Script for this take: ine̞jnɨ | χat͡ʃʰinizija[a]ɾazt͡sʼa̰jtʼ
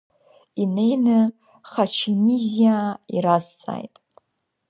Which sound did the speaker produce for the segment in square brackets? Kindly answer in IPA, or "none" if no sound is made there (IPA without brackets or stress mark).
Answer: i